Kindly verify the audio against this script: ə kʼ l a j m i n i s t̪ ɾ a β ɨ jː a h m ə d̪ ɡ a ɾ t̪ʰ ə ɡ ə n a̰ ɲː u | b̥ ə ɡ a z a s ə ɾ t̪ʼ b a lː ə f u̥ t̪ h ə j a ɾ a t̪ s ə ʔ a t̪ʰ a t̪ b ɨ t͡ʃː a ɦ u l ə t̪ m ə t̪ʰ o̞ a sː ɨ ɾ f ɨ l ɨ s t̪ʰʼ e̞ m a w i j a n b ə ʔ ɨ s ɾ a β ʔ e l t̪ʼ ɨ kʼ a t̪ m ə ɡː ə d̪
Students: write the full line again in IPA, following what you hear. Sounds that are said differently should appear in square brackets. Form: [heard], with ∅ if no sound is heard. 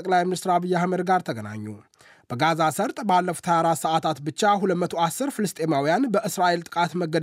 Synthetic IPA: ə kʼ l a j m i n i s t̪ ɾ a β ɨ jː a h m ə d̪ ɡ a ɾ t̪ʰ ə ɡ ə n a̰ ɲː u | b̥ ə ɡ a z a s ə ɾ t̪ʼ b a lː ə f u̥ t̪ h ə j a ɾ a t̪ s ə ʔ a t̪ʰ a t̪ b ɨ t͡ʃː a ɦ u l ə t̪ m ə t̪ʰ o̞ a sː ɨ ɾ f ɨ l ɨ s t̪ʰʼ e̞ m a w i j a n b ə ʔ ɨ s ɾ a [∅] ʔ e l t̪ʼ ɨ kʼ a t̪ m ə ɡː ə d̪